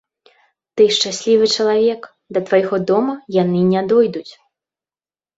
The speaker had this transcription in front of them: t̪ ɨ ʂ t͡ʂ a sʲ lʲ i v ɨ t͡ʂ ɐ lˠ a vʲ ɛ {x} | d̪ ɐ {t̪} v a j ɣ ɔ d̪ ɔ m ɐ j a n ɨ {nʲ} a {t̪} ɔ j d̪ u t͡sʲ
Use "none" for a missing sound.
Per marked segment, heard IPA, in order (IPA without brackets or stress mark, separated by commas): k, t̪, nʲ, d̪